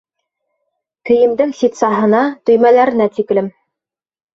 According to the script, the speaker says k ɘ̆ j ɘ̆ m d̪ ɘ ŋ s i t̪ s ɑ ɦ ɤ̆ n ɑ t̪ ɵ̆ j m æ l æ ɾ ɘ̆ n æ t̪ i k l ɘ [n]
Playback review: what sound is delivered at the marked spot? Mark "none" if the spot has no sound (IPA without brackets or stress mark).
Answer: m